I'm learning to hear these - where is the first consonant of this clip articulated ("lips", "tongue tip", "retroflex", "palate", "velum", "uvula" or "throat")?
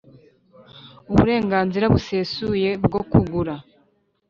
lips